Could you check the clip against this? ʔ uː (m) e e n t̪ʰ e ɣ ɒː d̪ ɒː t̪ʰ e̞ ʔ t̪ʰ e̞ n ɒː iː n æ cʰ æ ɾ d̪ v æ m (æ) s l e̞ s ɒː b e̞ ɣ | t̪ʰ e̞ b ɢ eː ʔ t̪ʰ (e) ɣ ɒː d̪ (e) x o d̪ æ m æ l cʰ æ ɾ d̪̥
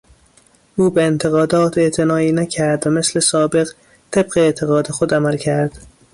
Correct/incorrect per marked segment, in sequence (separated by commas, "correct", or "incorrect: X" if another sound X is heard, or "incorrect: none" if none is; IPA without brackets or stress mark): incorrect: b, incorrect: e, correct, correct